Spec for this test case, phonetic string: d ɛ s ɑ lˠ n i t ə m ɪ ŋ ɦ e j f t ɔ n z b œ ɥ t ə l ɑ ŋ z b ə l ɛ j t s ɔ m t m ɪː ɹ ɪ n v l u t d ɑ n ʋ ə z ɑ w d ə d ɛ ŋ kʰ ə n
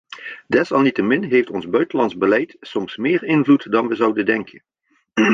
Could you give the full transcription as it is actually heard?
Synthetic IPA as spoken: d ɛ s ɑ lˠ n i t ə m ɪ n ɦ e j f t ɔ n z b œ ɥ t ə l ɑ n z b ə l ɛ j t s ɔ m s m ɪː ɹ ɪ n v l u t d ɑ n ʋ ə z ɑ w d ə d ɛ ŋ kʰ ə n